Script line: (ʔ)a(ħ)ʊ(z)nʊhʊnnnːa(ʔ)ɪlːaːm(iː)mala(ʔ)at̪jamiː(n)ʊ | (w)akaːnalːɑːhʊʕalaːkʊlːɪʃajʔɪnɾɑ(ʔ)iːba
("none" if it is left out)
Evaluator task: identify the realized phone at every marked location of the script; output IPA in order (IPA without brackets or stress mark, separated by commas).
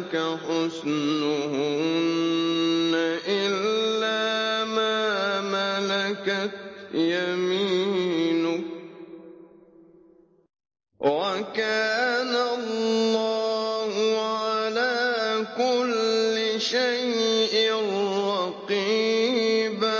k, ħ, s, ʔ, aː, k, n, w, q